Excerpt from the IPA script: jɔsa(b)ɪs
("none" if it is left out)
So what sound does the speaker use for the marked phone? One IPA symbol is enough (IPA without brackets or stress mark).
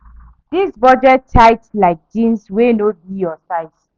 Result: none